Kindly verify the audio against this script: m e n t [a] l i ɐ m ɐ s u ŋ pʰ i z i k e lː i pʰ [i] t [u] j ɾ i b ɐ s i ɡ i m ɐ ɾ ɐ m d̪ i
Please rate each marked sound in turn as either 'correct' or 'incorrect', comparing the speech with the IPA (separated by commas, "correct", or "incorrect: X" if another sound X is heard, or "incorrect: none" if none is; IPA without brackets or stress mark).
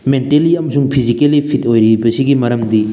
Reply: incorrect: e, correct, incorrect: o